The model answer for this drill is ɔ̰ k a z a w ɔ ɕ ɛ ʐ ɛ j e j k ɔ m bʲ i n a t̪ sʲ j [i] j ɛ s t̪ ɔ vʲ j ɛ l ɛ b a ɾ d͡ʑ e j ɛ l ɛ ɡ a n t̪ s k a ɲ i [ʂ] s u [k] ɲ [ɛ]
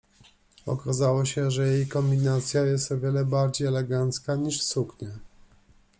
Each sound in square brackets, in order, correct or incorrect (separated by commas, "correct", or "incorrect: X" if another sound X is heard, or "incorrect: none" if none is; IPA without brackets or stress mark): incorrect: a, correct, correct, correct